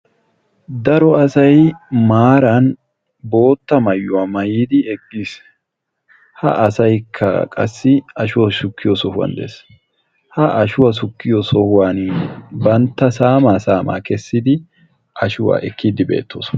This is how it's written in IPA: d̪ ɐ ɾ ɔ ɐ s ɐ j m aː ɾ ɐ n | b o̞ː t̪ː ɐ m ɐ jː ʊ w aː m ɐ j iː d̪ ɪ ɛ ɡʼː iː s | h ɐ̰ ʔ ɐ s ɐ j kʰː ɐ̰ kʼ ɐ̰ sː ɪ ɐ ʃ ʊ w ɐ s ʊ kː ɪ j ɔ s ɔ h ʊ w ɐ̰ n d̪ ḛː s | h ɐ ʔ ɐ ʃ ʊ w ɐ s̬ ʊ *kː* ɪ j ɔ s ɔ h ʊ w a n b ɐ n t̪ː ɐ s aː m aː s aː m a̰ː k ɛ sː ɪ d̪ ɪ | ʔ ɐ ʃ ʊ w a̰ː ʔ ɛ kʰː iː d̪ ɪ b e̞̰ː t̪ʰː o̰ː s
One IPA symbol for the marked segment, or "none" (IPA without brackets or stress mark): kː